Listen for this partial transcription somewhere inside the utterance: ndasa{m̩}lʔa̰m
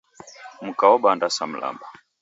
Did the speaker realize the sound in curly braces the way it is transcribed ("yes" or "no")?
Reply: yes